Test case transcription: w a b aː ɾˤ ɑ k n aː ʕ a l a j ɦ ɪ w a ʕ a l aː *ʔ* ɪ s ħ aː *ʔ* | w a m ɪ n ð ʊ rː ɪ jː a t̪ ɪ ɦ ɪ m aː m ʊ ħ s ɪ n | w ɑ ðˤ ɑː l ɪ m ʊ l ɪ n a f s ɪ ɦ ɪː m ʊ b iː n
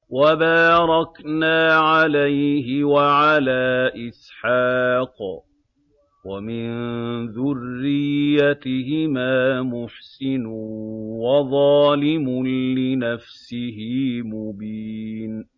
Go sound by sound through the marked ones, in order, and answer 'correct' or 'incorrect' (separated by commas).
correct, incorrect